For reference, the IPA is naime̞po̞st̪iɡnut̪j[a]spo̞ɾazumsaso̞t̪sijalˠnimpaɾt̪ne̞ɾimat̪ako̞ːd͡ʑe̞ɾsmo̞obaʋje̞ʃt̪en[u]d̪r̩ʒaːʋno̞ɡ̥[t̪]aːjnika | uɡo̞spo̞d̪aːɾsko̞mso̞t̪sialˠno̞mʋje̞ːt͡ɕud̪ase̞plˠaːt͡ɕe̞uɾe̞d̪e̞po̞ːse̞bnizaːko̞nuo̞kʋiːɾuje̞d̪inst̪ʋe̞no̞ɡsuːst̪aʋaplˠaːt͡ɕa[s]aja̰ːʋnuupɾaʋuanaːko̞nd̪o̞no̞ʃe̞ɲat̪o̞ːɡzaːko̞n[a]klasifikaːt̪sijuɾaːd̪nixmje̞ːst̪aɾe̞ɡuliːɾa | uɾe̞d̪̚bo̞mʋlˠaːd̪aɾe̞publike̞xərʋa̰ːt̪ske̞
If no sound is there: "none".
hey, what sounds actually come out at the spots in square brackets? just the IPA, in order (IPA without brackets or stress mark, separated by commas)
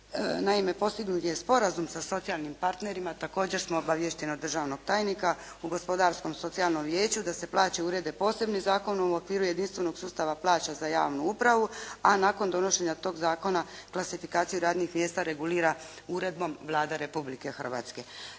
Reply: e, o, t̪, z, a